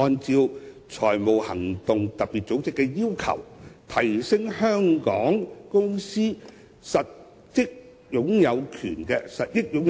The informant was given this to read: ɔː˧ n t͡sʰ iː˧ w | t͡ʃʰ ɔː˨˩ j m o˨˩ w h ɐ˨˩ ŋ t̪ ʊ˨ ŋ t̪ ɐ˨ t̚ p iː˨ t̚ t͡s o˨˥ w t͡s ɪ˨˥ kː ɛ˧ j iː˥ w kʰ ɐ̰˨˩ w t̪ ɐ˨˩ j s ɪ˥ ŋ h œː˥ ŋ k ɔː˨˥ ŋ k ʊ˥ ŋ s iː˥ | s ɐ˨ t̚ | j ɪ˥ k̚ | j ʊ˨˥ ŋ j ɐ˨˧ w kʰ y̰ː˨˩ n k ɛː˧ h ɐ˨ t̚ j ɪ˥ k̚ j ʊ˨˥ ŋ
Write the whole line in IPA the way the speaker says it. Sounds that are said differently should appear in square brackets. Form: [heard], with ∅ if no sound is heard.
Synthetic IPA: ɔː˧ n [t͡s] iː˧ w | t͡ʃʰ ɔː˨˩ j m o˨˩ w h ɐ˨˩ ŋ t̪ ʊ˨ ŋ t̪ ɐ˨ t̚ p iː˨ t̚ t͡s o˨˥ w t͡s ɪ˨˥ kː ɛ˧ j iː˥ w kʰ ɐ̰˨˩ w [t̪ʰ] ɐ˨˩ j s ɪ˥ ŋ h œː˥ ŋ k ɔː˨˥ ŋ k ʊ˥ ŋ s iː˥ | s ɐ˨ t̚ | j ɪ˥ k̚ | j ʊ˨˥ ŋ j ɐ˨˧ w kʰ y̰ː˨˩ n k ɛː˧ [s] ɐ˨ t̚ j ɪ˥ k̚ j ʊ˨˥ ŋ

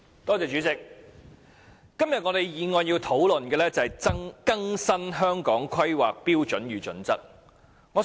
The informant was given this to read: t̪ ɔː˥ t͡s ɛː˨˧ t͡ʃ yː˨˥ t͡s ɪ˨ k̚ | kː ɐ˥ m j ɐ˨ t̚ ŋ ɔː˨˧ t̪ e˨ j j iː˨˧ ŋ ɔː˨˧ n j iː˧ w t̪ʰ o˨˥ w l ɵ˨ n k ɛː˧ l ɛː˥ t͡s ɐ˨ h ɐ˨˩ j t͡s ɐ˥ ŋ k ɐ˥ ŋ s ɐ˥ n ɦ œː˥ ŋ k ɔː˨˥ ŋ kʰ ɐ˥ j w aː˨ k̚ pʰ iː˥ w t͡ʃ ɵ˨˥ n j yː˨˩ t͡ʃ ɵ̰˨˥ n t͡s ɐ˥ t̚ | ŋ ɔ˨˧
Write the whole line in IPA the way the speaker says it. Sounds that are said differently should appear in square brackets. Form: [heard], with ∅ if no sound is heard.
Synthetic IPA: t̪ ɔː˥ t͡s ɛː˨˧ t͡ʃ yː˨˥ t͡s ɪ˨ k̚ | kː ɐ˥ m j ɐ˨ t̚ ŋ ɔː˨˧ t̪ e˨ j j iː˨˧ ŋ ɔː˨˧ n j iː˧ w t̪ʰ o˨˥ w l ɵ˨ n k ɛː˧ l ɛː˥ t͡s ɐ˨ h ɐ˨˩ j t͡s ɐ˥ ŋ k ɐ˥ ŋ s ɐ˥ n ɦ œː˥ ŋ k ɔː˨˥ ŋ kʰ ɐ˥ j w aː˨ k̚ [p] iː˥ w t͡ʃ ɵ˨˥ n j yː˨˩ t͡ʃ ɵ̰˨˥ n t͡s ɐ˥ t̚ | ŋ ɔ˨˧

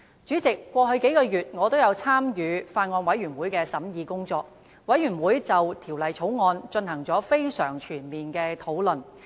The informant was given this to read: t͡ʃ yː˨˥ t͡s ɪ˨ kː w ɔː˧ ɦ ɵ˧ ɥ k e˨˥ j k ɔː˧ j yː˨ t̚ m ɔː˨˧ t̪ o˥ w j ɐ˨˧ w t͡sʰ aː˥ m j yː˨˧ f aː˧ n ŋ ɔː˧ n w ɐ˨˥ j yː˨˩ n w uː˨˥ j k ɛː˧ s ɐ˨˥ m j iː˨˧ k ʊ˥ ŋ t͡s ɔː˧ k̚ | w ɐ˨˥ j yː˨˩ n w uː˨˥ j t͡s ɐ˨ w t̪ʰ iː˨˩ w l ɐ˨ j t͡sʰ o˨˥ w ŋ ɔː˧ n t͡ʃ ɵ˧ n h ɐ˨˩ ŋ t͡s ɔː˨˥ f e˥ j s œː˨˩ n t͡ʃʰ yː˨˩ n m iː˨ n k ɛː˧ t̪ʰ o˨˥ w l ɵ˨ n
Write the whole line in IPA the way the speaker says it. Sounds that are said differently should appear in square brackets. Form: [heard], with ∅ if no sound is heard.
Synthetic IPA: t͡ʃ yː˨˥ t͡s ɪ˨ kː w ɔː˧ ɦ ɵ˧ ɥ k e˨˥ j k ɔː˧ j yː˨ t̚ [ŋ] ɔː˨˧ t̪ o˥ w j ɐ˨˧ w t͡sʰ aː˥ m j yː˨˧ f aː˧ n ŋ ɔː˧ n w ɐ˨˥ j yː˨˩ n w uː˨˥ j k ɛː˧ s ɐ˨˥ m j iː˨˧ k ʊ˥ ŋ t͡s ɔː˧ k̚ | w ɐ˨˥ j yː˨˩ n w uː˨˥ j t͡s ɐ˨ w t̪ʰ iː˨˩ w l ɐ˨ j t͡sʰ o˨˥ w ŋ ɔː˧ n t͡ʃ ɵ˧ n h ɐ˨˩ ŋ t͡s ɔː˨˥ f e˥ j s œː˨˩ [ŋ] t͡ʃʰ yː˨˩ n m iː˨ n k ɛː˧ t̪ʰ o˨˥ w l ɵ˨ n

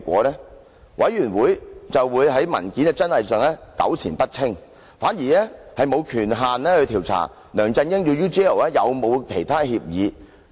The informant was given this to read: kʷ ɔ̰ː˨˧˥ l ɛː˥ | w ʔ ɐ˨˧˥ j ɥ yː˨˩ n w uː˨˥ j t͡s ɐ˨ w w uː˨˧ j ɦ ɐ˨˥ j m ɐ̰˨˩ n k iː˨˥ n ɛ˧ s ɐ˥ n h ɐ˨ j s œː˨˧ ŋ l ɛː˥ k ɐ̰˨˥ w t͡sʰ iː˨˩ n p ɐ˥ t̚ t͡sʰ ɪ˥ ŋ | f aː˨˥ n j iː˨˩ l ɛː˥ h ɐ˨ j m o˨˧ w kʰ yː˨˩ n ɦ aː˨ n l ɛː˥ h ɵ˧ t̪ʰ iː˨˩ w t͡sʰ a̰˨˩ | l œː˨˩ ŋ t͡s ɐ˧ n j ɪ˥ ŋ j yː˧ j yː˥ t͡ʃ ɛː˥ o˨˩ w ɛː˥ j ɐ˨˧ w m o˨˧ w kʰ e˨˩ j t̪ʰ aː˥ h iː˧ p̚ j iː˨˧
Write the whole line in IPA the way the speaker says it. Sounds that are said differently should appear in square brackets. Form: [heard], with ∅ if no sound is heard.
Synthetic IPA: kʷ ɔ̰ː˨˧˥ l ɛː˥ | w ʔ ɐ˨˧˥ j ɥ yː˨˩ n w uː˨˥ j t͡s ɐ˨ w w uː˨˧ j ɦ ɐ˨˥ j m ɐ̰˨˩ n k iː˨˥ n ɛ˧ [t͡s] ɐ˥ n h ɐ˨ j s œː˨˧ ŋ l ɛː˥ k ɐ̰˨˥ w t͡sʰ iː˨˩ n p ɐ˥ t̚ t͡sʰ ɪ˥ ŋ | f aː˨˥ n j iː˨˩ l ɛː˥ h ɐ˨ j m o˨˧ w kʰ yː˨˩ n ɦ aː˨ n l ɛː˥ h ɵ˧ t̪ʰ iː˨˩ w t͡sʰ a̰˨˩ | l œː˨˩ ŋ t͡s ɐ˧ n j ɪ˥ ŋ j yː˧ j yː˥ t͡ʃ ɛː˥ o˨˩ w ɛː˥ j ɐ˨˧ w m o˨˧ w kʰ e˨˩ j t̪ʰ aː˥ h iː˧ p̚ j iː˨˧

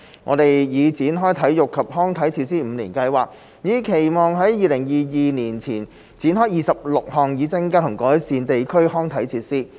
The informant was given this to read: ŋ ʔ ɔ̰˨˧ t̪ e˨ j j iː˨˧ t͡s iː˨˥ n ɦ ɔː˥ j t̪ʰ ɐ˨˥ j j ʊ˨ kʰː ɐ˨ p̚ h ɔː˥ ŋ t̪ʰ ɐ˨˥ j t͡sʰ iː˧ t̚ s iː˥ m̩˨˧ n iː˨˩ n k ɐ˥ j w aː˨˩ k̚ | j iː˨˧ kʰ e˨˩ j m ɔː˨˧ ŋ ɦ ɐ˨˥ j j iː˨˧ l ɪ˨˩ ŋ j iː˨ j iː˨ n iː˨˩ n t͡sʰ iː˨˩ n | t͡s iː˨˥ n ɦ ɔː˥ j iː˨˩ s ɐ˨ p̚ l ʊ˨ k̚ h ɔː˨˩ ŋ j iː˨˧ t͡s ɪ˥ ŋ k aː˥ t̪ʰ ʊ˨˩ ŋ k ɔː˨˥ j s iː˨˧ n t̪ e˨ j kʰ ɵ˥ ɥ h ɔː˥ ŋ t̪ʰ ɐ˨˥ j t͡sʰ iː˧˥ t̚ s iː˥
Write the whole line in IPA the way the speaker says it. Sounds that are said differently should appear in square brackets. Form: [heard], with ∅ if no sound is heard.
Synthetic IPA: ŋ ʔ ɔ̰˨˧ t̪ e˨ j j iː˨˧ t͡s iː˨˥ n ɦ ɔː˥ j t̪ʰ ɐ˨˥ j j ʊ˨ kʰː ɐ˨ p̚ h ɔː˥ ŋ t̪ʰ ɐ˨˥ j t͡sʰ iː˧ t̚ s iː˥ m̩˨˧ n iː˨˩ n k [ɐ˧] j w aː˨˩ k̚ | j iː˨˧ kʰ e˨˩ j m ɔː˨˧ ŋ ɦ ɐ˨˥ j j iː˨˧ l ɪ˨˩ ŋ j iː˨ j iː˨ n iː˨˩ n t͡sʰ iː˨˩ n | t͡s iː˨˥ n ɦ ɔː˥ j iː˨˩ s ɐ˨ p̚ l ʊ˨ k̚ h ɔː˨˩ ŋ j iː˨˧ t͡s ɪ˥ ŋ k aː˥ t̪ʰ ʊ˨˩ ŋ k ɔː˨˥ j s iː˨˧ n t̪ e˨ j kʰ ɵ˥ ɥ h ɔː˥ ŋ t̪ʰ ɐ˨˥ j t͡sʰ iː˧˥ t̚ s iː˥

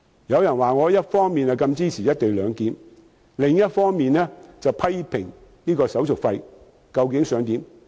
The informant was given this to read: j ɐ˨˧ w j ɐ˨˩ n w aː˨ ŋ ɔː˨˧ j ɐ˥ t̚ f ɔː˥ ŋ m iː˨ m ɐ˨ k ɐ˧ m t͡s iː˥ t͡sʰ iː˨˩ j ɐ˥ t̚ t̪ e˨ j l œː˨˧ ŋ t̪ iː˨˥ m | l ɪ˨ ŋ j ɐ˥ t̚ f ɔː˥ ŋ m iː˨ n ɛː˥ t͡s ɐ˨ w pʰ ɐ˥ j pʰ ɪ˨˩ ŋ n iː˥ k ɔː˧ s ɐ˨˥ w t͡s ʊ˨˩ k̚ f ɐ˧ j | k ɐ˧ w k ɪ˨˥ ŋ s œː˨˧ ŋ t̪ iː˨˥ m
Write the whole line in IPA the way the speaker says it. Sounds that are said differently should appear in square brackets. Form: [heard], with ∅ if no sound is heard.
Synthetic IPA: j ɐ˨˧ w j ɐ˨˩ n w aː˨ ŋ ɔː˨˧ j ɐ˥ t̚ f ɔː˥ ŋ m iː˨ [n] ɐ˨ k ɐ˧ m t͡s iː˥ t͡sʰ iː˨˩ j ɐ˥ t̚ t̪ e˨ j l œː˨˧ ŋ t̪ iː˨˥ m | l ɪ˨ ŋ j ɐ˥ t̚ f ɔː˥ ŋ m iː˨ n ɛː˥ t͡s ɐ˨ w pʰ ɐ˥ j pʰ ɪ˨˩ ŋ n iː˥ k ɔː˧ s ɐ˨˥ w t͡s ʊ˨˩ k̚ f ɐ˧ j | k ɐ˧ w k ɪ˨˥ ŋ s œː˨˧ ŋ t̪ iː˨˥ m

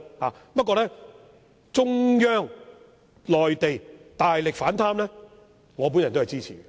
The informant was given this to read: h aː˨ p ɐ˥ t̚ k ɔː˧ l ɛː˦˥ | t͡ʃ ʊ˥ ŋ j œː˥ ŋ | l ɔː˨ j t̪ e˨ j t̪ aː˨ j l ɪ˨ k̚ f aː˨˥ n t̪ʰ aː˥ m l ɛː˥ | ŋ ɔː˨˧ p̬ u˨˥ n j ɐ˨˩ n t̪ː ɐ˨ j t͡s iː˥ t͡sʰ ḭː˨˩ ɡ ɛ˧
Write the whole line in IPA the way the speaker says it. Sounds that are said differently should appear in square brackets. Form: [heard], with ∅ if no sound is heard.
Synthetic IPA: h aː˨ p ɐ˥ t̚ k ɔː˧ l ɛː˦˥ | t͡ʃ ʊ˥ ŋ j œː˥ ŋ | l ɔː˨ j t̪ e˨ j t̪ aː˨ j l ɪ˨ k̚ f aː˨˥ n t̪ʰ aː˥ m l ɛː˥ | ŋ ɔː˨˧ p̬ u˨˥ n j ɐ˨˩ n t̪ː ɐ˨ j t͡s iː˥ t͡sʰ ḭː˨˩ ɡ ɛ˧

